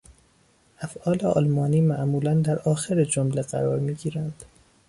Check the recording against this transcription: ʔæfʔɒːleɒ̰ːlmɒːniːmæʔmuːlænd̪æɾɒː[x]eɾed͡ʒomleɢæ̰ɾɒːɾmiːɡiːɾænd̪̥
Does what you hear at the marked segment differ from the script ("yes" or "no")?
no